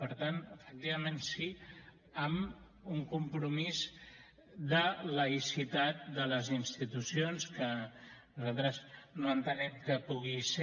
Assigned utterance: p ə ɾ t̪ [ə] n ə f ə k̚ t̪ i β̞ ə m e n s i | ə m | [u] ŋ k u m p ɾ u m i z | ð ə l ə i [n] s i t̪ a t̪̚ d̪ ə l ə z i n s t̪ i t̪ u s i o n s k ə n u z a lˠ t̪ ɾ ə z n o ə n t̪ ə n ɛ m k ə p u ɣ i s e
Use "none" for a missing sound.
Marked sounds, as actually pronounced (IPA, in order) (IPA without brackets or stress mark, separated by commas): a, u, none